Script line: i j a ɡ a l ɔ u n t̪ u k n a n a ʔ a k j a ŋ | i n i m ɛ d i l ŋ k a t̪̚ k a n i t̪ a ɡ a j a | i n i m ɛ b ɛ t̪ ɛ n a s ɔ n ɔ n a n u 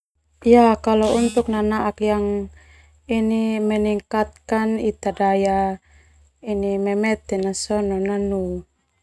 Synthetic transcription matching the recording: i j a k a l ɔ u n t̪ u k n a n a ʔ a k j a ŋ | i n i m ɛ n i ŋ k a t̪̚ k a n i t̪ a d a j a | i n i m ɛ m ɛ t̪ ɛ n a s ɔ n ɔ n a n u

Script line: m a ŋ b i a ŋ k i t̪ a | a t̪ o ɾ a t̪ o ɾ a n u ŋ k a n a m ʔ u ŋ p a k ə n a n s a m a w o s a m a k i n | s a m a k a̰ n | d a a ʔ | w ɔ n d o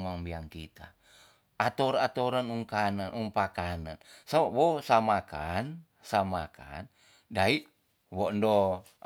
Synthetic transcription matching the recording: m a ŋ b i a ŋ k i t̪ a | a t̪ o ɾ a t̪ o ɾ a n u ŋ k a n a n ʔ u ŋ p a k a n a n s a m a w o s a m a k a n | s a m a k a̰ n | d a i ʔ | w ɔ n d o

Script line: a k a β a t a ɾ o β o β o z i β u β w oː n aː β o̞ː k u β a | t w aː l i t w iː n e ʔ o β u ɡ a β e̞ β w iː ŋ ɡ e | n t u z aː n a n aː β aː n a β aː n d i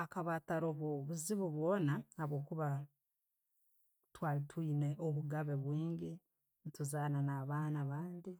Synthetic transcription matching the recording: a k a β a t a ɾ o β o β u z i β u β w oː n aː β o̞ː k u β a | t w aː l i t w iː n e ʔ o β u ɡ a β e̞ β w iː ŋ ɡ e | n t u z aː n a n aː β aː n a β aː n d i

